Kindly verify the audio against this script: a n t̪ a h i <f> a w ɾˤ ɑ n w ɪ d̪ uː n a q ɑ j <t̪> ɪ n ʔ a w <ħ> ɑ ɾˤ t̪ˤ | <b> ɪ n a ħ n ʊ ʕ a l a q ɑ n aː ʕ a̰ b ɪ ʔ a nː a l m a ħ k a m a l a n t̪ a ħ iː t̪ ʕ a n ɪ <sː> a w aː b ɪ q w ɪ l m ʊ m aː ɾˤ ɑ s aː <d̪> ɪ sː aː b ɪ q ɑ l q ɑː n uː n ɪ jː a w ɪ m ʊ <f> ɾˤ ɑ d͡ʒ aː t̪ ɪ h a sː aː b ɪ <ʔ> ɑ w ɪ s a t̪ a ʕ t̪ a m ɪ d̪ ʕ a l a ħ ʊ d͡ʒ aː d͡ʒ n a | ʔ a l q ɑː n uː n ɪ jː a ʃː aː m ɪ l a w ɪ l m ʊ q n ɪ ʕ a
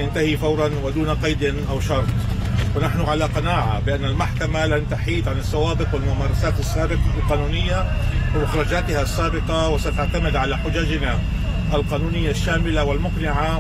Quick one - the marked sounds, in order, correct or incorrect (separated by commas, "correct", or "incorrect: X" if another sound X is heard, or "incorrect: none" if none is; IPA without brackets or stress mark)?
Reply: correct, incorrect: d̪, incorrect: ʃ, incorrect: w, correct, incorrect: t̪, incorrect: x, incorrect: q